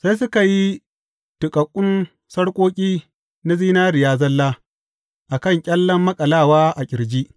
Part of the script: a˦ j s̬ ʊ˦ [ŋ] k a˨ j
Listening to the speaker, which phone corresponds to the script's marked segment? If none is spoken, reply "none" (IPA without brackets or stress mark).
none